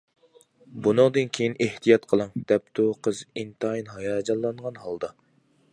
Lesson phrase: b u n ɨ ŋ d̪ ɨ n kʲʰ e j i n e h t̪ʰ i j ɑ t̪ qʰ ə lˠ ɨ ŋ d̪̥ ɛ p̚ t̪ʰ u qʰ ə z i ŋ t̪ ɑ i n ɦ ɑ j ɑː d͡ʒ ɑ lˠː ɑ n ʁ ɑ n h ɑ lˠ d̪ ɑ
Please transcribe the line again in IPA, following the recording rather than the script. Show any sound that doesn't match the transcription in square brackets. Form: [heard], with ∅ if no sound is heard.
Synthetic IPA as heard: b u n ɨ ŋ d̪ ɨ n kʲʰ e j i n e h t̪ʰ i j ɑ t̪ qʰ ə lˠ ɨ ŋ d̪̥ ɛ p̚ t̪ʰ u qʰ ə z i [n] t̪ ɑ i n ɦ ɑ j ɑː d͡ʒ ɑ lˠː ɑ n ʁ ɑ n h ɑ lˠ d̪ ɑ